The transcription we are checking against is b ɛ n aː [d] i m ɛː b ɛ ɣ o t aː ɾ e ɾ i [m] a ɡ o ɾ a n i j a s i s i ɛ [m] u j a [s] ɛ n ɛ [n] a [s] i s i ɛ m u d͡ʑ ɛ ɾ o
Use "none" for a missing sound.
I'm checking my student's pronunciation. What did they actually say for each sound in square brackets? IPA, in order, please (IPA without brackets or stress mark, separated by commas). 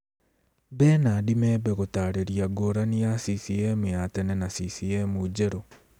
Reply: d, none, m, t, n, s